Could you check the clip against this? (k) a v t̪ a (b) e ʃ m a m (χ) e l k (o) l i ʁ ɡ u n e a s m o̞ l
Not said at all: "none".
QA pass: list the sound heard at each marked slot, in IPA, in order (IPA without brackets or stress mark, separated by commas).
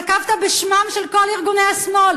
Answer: k, b, ʃ, o